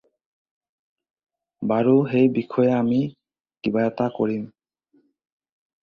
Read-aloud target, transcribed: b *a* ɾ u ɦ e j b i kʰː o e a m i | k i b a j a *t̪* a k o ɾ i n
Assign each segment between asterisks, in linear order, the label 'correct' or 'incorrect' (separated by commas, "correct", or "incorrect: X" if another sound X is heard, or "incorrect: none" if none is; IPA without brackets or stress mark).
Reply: correct, correct